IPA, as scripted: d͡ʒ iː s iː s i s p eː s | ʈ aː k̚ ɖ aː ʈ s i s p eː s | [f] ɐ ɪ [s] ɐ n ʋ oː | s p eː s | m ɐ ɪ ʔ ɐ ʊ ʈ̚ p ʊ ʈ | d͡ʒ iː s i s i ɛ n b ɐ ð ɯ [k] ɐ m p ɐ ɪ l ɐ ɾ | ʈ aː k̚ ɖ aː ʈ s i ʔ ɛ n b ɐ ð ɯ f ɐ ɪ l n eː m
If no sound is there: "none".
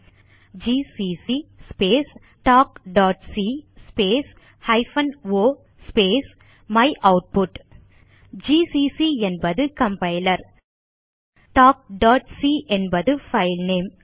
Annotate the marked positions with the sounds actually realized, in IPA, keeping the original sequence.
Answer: h, f, k

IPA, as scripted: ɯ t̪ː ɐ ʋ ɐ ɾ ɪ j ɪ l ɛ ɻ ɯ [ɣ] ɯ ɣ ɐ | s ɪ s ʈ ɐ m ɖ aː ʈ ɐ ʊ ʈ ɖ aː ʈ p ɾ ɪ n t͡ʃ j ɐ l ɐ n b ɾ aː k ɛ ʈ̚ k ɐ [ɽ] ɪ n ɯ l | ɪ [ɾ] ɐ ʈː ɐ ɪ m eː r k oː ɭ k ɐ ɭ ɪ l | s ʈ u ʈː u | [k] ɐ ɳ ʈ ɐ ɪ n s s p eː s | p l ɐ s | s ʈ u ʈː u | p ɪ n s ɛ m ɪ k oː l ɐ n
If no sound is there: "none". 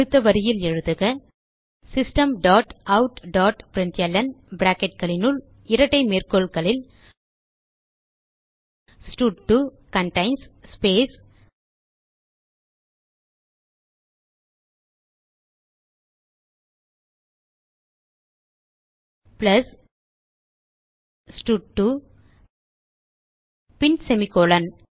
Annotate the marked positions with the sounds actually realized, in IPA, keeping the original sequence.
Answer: ð, ɭ, ɾ, k

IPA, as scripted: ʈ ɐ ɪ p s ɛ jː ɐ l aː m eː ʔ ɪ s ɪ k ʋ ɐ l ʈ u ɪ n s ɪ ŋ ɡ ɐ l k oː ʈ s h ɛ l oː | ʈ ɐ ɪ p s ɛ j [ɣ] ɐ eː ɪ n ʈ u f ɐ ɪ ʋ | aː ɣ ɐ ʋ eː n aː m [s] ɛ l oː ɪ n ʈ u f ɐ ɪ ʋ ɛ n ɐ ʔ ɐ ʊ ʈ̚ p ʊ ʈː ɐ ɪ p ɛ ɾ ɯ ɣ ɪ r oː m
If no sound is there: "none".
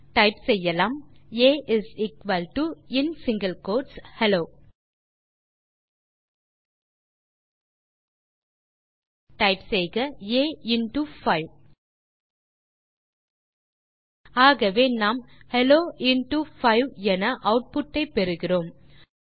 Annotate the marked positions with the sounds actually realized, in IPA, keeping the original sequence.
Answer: ɣ, h

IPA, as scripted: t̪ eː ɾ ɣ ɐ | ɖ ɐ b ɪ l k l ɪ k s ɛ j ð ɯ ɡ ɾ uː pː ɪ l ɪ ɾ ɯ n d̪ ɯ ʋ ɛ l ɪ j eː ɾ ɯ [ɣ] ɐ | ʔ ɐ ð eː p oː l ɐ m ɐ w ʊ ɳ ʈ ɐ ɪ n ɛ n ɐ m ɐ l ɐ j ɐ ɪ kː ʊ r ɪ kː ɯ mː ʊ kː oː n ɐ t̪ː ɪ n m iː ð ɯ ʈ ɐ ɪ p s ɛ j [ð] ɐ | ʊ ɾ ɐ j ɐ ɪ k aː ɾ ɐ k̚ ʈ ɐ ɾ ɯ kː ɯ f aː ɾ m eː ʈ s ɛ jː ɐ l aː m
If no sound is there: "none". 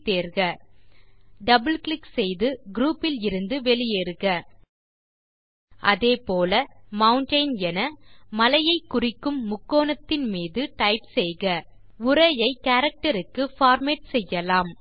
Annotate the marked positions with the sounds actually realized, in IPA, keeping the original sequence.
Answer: ɣ, ɣ

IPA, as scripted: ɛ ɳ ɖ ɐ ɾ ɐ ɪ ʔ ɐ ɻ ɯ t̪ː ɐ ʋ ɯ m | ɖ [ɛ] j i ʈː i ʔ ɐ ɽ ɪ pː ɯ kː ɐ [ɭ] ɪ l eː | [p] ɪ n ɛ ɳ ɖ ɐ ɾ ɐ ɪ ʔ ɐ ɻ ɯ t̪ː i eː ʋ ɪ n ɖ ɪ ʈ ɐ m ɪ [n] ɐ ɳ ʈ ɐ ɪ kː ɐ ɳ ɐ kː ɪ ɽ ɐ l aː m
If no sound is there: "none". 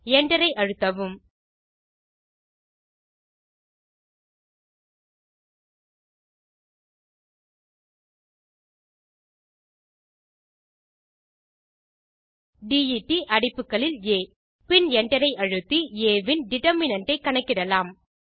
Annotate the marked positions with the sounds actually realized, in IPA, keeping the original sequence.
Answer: i, ɭ, p, n

